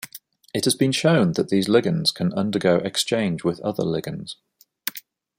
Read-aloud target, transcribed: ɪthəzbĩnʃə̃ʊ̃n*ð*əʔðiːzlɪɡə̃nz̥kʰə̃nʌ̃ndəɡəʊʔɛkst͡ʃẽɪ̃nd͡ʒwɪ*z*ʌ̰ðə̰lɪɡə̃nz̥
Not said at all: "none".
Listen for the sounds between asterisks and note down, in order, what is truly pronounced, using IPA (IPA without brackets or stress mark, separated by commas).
ð, ð